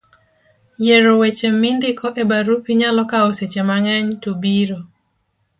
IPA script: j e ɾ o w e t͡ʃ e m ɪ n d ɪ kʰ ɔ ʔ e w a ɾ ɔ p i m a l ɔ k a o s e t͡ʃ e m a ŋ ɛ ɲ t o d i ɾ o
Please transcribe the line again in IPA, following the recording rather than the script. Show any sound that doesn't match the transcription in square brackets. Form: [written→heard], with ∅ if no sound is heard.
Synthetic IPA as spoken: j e ɾ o w e t͡ʃ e m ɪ n d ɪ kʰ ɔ ʔ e [w→b] a ɾ [ɔ→u] p i [m→ɲ] a l ɔ k a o s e t͡ʃ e m a ŋ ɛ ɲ t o [d→b] i ɾ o